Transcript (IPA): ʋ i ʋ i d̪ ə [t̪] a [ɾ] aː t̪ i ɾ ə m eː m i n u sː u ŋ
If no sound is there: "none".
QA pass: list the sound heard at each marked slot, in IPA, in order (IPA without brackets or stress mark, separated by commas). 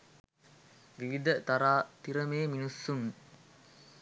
t̪, ɾ